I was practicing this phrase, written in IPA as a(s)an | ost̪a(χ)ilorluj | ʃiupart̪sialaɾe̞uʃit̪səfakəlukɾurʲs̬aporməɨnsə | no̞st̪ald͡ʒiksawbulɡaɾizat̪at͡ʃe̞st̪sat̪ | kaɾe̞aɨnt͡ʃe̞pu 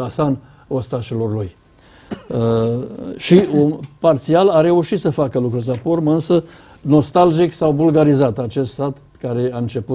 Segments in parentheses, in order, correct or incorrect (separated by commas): correct, incorrect